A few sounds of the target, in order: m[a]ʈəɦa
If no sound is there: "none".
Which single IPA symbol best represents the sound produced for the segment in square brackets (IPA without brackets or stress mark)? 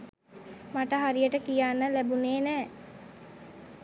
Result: a